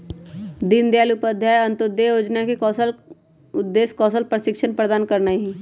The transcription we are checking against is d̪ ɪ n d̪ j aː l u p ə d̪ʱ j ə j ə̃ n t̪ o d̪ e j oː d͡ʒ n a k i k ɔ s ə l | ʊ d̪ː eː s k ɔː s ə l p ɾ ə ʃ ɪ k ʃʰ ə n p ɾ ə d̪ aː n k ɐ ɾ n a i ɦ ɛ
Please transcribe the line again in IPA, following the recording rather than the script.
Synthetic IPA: d̪ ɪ n d̪ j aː l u p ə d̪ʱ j a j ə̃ n t̪ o d̪ e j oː d͡ʒ n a k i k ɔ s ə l | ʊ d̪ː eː s k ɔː s ə l p ɾ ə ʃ ɪ k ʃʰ ə n p ɾ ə d̪ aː n k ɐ ɾ n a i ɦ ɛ